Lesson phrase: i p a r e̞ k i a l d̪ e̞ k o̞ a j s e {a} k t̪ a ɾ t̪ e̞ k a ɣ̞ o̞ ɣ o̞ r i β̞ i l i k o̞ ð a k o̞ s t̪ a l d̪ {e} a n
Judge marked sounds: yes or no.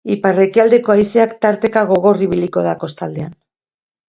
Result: yes, yes

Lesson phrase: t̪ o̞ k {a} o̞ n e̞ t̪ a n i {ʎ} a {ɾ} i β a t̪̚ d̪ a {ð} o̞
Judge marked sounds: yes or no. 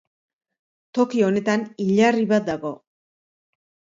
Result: no, yes, no, no

